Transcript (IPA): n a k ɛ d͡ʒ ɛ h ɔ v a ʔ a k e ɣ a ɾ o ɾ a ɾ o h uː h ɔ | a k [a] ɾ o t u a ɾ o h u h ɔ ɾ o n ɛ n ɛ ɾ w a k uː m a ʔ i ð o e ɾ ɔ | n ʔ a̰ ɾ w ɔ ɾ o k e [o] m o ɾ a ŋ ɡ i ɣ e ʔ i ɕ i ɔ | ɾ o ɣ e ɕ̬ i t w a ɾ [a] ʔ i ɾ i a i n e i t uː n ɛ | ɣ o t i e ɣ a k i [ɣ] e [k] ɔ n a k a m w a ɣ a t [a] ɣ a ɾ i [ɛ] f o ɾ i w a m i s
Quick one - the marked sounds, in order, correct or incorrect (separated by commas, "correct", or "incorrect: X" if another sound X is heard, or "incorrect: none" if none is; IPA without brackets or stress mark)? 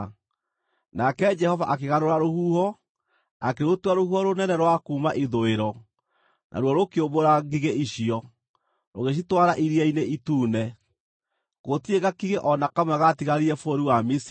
incorrect: e, correct, correct, correct, incorrect: ʔ, incorrect: i, correct